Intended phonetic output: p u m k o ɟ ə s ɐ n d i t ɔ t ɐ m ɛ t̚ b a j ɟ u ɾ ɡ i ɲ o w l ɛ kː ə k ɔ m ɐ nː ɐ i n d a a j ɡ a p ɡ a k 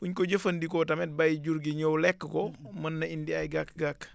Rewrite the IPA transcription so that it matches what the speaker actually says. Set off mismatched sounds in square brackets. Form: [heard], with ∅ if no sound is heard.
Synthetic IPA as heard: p u [ɲ] k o ɟ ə [f] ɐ n d i [k] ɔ t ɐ m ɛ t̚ b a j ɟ u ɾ ɡ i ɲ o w l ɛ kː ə k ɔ m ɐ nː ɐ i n d [i] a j ɡ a [k] ɡ a k

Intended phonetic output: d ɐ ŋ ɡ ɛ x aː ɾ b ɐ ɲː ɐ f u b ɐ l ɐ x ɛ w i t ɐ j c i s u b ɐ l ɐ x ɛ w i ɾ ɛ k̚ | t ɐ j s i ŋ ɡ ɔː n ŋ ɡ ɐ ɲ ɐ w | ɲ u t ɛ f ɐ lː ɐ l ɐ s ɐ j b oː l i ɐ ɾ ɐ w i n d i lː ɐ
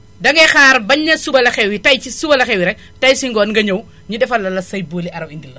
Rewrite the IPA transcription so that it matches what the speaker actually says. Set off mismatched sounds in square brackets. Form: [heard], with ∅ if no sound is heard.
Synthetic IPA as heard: d ɐ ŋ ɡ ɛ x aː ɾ b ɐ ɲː ɐ [s] u b ɐ l ɐ x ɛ w i t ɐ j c i s u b ɐ l ɐ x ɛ w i ɾ ɛ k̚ | t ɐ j s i ŋ ɡ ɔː n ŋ ɡ ɐ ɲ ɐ w | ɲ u [d] ɛ f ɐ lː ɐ l ɐ s ɐ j b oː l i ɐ ɾ ɐ w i n d i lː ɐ

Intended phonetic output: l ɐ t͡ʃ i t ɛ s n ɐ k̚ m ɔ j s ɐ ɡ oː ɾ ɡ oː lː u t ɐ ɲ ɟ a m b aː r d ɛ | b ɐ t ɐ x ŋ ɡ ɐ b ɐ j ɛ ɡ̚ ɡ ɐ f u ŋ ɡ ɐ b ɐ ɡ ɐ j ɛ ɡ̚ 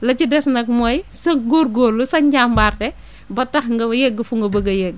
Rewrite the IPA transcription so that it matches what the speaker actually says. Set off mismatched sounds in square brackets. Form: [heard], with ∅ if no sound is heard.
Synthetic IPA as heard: l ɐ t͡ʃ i [d] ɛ s n ɐ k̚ m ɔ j s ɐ ɡ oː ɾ ɡ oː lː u [s] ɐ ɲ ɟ a m b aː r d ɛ | b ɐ t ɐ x ŋ ɡ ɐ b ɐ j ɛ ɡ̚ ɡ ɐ f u ŋ ɡ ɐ b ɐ ɡ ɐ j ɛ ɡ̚

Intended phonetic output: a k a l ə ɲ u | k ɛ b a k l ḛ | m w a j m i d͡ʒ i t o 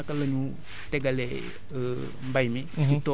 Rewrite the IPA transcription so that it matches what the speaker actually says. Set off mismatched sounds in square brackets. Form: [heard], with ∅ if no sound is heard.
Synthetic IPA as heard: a k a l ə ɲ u | [t] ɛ [ɡ] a [∅] l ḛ | m [b] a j m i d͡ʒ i t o

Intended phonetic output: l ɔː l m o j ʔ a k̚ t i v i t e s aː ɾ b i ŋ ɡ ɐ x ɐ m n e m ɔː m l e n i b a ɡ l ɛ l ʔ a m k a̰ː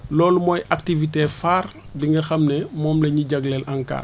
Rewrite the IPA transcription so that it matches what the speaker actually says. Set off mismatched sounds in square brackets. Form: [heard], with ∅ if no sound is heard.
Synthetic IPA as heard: l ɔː l m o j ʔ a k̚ t i v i t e [f] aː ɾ b i ŋ ɡ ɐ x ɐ m n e m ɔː m l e [ɲ] i [ɟ] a ɡ l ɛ l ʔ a [ŋ] k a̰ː

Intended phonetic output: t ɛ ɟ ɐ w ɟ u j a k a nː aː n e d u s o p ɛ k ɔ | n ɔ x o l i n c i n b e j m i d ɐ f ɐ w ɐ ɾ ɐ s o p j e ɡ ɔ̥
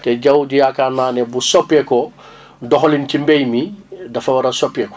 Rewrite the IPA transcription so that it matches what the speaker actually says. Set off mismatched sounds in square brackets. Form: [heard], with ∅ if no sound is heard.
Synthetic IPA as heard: t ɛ ɟ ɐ w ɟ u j a k a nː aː n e [b] u s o p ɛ k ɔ | [d] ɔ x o l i n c i [m] b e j m i d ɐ f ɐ w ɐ ɾ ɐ s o p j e [k] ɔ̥

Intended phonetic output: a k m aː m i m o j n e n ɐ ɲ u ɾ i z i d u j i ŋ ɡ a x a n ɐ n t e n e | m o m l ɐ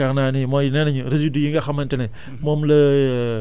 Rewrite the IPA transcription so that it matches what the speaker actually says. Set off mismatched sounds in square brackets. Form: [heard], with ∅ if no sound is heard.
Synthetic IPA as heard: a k [n] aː [n] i m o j n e n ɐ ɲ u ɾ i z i d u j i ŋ ɡ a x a [m] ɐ n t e n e | m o m l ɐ

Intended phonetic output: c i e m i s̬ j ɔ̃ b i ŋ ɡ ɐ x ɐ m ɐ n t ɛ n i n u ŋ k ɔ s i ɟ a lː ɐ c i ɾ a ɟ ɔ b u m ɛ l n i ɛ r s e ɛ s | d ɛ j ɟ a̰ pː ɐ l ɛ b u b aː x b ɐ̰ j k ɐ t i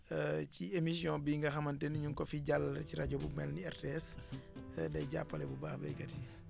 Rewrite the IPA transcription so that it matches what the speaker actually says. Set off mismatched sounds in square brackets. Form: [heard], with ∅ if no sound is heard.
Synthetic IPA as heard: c i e m i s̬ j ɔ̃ b i ŋ ɡ ɐ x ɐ m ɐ n t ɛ n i [ɲ] u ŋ k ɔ [f] i ɟ a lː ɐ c i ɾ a ɟ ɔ b u m ɛ l n i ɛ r [t] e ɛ s | d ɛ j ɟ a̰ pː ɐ l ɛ b u b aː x b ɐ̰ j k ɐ t i

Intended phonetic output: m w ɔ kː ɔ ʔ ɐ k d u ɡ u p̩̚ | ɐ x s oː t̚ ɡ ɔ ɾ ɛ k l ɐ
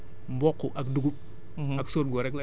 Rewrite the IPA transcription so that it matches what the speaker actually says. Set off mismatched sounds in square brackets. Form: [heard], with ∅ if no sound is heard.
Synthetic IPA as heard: m [b] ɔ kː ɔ ʔ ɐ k d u ɡ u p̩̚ | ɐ [k] s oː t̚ ɡ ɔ ɾ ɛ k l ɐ

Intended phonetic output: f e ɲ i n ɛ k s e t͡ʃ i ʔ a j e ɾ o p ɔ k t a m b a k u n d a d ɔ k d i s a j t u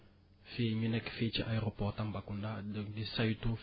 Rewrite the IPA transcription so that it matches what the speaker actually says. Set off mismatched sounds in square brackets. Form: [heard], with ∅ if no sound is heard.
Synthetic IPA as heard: f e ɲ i n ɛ k [f] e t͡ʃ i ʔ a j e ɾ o p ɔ [∅] t a m b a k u n d a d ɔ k d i s a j t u

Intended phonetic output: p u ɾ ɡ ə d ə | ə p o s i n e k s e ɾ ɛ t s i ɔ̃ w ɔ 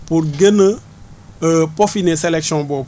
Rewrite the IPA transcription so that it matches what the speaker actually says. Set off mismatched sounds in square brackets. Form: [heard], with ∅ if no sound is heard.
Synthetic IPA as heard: p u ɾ ɡ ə [n] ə | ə p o [f] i n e [∅] s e [l] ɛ [k] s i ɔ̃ [b] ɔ

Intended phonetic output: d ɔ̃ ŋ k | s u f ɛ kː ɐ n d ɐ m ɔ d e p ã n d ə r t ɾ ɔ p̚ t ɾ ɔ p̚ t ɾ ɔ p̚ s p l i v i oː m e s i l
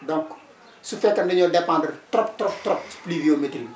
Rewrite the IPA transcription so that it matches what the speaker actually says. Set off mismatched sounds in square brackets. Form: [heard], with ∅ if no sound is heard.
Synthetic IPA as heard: d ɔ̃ ŋ k | s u f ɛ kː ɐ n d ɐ [ɲ] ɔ d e p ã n d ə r t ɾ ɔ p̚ t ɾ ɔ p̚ t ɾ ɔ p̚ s p l i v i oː m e [t] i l

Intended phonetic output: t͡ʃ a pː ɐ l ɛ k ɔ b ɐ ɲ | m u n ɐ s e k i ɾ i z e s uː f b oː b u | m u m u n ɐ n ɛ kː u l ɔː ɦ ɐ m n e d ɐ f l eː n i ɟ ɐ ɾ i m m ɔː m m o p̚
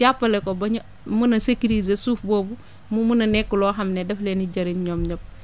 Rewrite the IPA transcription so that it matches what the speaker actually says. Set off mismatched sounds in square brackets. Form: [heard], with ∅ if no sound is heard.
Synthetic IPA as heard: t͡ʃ a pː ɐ l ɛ k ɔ b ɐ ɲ | m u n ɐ s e k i ɾ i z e s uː f b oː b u | m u m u n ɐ n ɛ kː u l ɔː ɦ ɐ m n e d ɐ f l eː n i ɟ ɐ ɾ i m [ɲ] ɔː m [ɲ] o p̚

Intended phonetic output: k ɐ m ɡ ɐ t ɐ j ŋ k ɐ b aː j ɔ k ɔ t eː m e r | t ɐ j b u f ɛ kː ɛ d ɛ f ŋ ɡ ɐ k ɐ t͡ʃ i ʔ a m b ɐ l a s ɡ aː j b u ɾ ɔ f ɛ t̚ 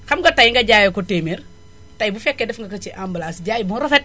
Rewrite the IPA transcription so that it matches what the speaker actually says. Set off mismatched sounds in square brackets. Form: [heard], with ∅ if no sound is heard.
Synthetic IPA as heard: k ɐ m ɡ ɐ t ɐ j ŋ [ɡ] ɐ [ɟ] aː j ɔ k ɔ t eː m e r | t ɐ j b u f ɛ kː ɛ d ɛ f ŋ ɡ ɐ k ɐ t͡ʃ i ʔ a m b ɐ l a s [ɟ] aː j b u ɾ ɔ f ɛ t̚

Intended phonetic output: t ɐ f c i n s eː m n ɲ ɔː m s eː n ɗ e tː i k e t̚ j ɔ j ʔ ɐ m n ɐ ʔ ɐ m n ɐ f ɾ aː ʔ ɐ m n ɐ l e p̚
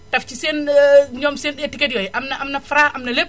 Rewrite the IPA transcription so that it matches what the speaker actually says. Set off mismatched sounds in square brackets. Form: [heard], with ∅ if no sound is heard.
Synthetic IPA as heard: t ɐ f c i [∅] s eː [∅] n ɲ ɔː m s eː n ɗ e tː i k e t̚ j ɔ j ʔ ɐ m n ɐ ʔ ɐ m n ɐ f ɾ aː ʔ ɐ m n ɐ l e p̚

